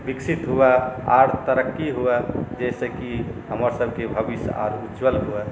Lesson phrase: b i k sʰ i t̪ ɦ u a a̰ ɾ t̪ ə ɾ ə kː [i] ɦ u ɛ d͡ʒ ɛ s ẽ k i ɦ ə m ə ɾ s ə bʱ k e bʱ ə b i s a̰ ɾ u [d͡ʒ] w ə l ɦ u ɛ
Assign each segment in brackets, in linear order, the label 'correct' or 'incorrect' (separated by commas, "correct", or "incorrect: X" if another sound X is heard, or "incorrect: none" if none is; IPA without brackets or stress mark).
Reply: correct, correct